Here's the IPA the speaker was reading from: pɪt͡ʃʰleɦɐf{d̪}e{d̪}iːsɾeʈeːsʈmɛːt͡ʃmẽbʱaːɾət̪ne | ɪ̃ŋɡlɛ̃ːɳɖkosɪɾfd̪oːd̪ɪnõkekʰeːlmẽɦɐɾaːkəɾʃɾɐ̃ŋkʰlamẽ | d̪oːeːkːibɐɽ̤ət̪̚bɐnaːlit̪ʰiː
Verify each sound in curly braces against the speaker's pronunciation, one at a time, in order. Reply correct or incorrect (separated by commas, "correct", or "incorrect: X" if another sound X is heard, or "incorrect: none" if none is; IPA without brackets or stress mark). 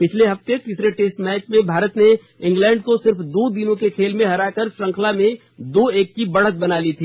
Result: incorrect: t̪, incorrect: t̪